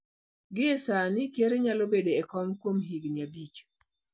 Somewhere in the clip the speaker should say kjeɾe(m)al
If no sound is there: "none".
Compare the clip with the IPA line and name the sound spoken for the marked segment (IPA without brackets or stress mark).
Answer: ɲ